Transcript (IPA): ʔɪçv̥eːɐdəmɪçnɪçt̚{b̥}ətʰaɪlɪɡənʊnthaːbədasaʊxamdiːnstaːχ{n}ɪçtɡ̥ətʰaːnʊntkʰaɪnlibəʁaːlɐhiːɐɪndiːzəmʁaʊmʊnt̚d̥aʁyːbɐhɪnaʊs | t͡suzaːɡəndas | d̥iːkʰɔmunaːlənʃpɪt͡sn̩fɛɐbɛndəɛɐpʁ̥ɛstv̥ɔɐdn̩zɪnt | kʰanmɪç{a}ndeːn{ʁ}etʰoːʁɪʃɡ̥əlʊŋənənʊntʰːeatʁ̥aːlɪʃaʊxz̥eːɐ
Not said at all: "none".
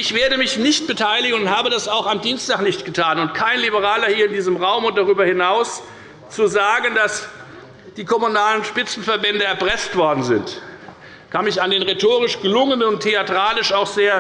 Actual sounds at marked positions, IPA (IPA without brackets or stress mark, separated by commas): b̥, n, a, ʁ